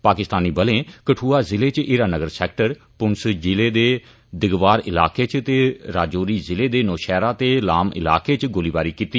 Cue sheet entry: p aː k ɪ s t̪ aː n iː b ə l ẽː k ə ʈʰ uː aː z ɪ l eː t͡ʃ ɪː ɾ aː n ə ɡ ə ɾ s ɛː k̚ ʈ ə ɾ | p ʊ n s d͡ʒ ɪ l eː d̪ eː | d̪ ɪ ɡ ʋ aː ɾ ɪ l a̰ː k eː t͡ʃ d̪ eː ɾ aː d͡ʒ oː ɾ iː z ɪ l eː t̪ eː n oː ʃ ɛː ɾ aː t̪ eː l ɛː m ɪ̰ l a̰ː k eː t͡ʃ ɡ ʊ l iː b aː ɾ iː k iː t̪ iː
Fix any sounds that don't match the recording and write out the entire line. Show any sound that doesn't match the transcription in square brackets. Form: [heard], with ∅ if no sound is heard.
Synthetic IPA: p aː k ɪ s t̪ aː n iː b ə l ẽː k ə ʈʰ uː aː z ɪ l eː t͡ʃ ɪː ɾ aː n ə ɡ ə ɾ s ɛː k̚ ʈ ə ɾ | p ʊ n s d͡ʒ ɪ l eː d̪ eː | d̪ ɪ ɡ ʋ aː ɾ ɪ l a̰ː k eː t͡ʃ [t̪] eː ɾ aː d͡ʒ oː ɾ iː z ɪ l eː [d̪] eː n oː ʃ ɛː ɾ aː t̪ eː l [aː] m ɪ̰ l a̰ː k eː t͡ʃ ɡ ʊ l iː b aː ɾ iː k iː t̪ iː